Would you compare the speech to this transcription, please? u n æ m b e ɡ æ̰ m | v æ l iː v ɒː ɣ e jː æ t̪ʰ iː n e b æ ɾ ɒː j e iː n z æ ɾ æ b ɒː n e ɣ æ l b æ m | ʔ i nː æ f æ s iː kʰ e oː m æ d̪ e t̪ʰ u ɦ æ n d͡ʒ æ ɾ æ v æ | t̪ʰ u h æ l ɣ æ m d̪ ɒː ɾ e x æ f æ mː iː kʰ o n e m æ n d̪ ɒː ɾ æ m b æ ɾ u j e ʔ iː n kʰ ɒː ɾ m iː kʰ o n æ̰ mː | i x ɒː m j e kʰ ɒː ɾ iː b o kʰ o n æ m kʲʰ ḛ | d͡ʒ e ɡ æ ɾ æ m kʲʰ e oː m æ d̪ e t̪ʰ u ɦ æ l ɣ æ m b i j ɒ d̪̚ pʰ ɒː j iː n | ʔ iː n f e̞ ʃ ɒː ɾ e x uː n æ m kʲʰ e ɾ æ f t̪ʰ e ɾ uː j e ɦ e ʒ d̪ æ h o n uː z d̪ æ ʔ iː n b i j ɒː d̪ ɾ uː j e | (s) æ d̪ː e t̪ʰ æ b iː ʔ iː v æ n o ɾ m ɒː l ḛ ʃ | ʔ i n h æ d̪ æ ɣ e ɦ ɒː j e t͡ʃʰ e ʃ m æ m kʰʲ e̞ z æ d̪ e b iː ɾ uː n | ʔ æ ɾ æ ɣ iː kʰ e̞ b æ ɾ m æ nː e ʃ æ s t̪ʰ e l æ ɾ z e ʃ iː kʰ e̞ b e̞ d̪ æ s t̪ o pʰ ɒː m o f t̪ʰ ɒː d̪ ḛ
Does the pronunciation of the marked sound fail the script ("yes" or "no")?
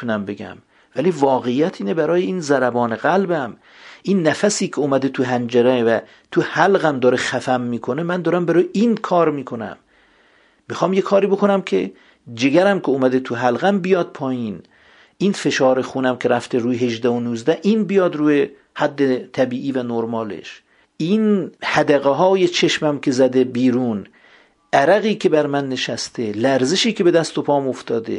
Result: yes